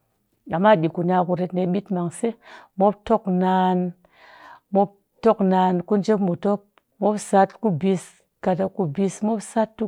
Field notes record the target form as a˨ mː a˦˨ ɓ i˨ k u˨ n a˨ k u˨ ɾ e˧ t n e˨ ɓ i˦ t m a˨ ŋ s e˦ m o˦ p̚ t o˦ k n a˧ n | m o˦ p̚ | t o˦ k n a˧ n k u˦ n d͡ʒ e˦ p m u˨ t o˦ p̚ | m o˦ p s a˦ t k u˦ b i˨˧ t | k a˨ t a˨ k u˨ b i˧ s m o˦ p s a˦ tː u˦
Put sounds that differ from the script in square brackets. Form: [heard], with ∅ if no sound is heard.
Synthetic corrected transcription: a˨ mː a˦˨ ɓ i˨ k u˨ n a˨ k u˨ ɾ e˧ t n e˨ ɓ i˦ t m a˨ ŋ s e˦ m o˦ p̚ t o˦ k n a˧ n | m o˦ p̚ | t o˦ k n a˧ n k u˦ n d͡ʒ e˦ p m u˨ t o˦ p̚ | m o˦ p s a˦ t k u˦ b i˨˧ [s] | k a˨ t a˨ k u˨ b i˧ s m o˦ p s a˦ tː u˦

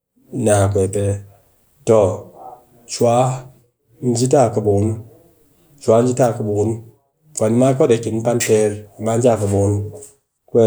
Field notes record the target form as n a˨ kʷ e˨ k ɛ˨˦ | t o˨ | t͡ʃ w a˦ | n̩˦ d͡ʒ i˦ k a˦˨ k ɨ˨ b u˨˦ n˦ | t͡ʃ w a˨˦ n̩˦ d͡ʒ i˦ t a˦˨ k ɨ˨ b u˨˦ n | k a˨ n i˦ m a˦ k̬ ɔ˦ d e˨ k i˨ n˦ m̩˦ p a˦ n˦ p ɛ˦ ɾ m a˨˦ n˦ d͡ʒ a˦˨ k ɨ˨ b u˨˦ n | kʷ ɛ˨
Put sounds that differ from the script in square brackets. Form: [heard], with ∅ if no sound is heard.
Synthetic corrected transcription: n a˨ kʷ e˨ [p] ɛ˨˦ | t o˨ | t͡ʃ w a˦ | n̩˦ d͡ʒ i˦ [t] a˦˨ k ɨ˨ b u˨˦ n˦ | t͡ʃ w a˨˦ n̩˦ d͡ʒ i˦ t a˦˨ k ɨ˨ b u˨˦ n | k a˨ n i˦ m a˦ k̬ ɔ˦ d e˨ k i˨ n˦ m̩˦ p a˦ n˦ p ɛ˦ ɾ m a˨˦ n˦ d͡ʒ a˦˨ k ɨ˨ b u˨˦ n | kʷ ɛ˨

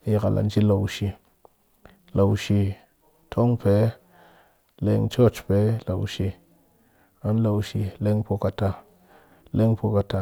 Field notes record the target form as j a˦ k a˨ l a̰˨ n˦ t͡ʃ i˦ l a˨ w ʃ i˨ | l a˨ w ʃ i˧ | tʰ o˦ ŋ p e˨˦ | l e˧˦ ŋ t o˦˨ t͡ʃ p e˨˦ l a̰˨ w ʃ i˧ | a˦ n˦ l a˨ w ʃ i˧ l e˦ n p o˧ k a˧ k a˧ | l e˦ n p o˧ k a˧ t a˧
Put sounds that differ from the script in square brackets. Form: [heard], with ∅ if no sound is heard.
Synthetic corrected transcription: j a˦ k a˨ l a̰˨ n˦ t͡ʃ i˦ l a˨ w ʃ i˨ | l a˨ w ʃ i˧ | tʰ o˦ ŋ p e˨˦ | l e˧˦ ŋ [t͡ʃ] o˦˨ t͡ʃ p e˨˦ l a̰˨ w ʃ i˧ | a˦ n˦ l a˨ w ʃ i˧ l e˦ [ŋ] p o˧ k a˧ [t] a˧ | l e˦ [ŋ] p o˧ k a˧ t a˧

